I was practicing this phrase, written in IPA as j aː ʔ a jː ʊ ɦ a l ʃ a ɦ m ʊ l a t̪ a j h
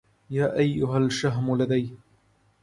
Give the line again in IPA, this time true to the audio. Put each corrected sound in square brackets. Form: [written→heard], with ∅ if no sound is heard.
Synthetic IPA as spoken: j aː ʔ a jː ʊ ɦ a l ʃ a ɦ m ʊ l a [t̪→d̪] a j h